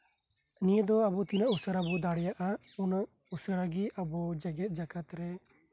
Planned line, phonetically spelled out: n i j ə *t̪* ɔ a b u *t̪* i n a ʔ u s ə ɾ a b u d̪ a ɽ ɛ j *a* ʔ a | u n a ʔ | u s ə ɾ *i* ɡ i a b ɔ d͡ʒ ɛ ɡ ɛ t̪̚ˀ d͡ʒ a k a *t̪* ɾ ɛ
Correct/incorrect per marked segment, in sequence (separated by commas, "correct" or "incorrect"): incorrect, correct, correct, incorrect, correct